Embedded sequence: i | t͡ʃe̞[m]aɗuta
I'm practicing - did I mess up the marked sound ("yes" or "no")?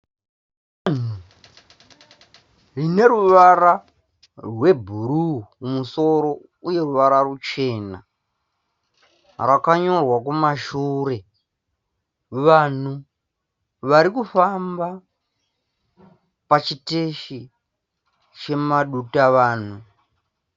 no